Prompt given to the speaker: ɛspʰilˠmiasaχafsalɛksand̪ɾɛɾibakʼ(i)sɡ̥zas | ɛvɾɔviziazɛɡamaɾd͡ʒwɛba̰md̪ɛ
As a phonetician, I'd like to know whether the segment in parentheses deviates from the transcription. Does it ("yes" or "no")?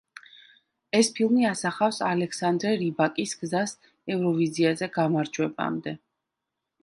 no